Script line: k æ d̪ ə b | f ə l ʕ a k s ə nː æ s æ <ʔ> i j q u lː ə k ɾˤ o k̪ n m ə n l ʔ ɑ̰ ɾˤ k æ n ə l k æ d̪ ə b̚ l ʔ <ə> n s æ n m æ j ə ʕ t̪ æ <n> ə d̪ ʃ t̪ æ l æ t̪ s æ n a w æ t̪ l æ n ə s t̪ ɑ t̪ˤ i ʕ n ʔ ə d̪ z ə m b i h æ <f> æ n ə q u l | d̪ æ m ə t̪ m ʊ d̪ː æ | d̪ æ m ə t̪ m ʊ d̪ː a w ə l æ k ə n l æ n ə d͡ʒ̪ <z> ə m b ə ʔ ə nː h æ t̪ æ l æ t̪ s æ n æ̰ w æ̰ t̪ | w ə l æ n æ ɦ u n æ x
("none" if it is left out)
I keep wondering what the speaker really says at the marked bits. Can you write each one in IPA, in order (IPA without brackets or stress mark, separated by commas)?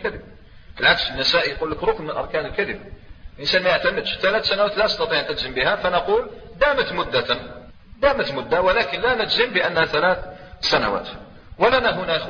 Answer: ʔ, ə, m, f, z